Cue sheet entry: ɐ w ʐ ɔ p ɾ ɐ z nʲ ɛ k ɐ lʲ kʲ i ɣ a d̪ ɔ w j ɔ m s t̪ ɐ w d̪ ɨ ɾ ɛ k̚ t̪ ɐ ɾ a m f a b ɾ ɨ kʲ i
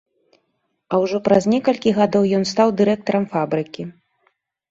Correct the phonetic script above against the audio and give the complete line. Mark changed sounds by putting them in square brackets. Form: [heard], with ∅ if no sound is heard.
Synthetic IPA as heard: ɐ w ʐ ɔ p ɾ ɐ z nʲ ɛ k ɐ lʲ kʲ i ɣ a d̪ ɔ w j ɔ [n] s t̪ [a] w d̪ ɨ ɾ ɛ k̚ t̪ ɐ ɾ [ɐ] m f a b ɾ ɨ kʲ i